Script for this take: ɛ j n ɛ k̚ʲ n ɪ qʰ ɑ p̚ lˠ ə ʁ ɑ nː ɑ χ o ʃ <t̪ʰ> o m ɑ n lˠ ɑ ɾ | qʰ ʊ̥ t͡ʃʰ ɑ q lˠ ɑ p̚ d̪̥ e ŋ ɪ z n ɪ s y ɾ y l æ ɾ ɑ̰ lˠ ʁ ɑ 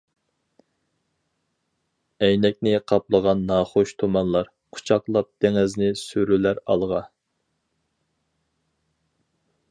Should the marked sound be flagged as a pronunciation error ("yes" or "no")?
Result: no